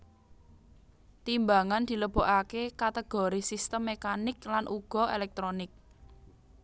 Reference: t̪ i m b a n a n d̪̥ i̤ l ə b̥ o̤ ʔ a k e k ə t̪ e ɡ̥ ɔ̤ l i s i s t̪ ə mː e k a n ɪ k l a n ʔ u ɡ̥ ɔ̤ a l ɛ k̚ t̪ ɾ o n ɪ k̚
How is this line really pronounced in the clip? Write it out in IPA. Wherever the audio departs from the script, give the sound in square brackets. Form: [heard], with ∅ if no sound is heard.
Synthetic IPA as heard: t̪ i m b a [ŋ] a n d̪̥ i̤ l ə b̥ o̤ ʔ a k e k [a] t̪ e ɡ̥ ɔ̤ [ɾ] i s i s t̪ ə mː e k a n ɪ k l a n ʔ u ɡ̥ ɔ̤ [e] l ɛ k̚ t̪ ɾ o n ɪ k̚